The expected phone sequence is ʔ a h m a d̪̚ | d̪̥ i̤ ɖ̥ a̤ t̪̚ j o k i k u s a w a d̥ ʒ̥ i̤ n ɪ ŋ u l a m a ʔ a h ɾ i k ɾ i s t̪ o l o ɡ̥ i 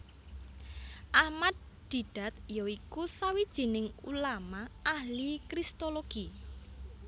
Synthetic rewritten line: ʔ a h m a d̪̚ | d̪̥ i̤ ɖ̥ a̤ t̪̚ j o i k u s a w i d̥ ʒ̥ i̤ n ɪ ŋ u l a m a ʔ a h l i k ɾ i s t̪ o l o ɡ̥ i